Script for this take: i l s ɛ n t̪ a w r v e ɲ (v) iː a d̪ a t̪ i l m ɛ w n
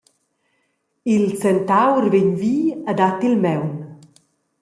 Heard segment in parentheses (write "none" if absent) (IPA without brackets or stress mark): v